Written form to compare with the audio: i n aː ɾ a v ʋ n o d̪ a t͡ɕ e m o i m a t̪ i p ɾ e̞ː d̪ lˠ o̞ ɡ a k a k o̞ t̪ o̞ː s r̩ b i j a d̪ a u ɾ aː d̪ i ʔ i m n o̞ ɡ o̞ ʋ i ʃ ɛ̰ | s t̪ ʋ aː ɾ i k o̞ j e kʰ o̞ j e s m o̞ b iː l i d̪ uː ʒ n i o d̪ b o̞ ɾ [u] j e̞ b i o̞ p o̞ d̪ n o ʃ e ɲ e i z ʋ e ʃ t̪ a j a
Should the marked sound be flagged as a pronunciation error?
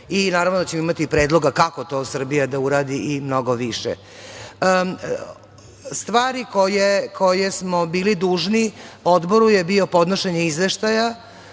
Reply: no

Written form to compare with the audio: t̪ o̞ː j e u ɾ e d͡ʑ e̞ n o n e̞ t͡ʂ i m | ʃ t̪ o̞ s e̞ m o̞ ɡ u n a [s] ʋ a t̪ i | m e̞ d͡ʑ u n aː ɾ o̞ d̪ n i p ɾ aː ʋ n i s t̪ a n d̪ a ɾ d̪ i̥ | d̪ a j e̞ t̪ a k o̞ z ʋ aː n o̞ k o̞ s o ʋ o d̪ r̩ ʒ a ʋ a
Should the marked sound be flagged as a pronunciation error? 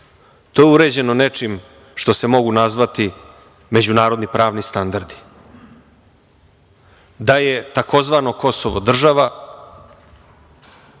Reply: yes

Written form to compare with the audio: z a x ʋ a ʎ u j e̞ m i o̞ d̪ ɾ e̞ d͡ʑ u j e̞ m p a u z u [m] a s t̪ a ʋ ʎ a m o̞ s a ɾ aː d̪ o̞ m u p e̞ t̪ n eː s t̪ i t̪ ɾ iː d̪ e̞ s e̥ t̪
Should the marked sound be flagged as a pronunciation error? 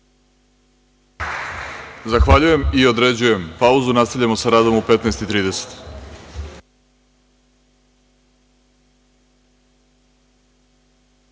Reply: yes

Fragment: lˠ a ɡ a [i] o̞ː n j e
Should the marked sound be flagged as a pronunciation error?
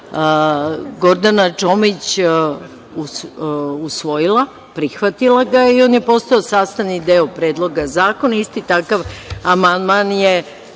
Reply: no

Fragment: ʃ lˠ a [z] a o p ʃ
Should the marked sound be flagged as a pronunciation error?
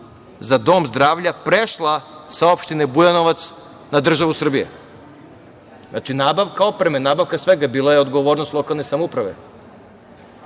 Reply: yes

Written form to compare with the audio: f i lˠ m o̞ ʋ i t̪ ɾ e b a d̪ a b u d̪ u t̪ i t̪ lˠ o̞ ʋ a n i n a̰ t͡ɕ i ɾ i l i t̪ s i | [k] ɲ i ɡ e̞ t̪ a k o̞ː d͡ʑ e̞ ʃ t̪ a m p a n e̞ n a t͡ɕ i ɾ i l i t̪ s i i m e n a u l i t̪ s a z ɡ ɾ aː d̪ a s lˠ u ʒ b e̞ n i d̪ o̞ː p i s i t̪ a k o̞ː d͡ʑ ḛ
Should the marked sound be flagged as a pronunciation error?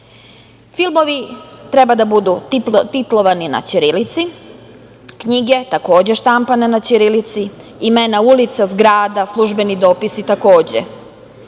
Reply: no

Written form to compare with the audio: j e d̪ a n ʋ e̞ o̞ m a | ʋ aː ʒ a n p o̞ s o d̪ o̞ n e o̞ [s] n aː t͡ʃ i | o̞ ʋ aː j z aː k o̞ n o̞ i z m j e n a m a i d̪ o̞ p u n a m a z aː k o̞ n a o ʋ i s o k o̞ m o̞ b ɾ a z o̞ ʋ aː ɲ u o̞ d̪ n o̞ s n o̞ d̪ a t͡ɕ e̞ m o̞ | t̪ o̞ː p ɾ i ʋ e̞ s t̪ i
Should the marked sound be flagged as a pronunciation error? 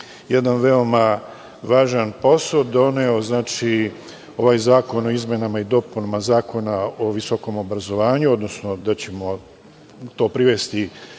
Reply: yes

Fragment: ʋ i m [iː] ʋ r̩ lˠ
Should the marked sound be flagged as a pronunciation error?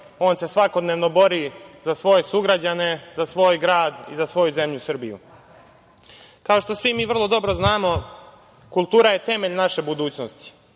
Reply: no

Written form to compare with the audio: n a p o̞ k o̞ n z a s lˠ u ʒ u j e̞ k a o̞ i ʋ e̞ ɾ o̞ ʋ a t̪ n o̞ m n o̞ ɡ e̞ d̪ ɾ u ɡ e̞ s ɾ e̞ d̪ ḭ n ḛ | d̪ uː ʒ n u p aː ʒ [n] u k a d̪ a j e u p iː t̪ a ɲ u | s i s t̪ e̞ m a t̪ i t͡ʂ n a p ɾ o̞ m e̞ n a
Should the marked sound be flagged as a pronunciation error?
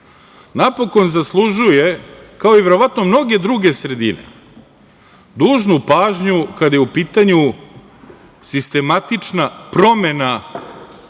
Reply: yes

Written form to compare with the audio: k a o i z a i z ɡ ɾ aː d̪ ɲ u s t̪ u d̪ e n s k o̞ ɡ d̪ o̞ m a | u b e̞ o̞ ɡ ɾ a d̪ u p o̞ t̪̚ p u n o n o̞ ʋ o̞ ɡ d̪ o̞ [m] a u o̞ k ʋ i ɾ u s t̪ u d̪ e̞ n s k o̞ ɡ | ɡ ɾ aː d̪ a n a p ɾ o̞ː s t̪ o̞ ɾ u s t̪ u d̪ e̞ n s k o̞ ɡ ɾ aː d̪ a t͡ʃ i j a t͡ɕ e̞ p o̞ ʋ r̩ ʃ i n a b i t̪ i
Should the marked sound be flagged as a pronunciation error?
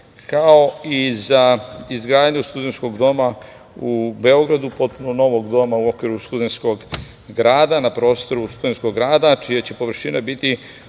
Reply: no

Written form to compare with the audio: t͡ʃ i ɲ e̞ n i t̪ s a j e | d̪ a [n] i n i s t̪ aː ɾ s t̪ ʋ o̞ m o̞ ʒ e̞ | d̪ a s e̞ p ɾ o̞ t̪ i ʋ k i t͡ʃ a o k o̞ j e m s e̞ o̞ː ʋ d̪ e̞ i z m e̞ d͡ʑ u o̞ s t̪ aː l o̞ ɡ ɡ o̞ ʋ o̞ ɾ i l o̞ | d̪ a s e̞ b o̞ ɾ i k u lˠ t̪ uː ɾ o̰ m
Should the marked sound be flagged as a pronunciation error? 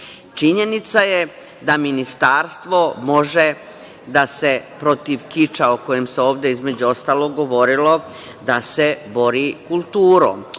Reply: yes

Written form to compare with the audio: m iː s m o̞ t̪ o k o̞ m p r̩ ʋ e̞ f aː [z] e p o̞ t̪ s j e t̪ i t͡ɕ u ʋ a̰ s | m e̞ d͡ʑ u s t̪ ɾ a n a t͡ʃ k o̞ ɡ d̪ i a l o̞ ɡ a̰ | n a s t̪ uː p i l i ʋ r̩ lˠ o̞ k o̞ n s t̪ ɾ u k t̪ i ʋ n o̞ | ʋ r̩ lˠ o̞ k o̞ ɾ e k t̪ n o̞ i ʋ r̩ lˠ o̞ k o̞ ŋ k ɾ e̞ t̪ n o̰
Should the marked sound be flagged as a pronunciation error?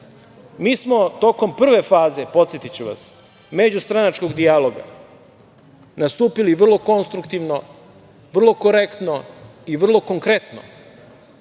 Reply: no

